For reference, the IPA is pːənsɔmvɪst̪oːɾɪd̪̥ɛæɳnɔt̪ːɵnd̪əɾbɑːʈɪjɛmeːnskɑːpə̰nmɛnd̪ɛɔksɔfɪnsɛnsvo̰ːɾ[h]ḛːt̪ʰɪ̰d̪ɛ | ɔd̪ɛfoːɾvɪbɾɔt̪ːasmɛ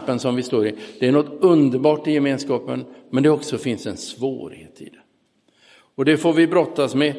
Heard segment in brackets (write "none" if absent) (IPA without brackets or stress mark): h